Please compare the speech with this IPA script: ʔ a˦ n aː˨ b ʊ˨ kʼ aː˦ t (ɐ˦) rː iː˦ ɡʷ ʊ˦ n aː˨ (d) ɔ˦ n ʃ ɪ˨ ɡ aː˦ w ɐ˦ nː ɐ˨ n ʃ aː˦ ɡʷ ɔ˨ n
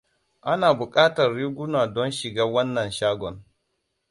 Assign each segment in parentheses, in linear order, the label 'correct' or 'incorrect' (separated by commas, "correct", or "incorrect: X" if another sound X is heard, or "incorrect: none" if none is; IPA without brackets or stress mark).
incorrect: ɐ˨, correct